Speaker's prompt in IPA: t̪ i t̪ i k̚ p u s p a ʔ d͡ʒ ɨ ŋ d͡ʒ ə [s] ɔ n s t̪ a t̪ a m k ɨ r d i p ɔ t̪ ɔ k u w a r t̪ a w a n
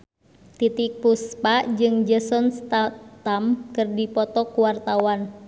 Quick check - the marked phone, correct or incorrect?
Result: correct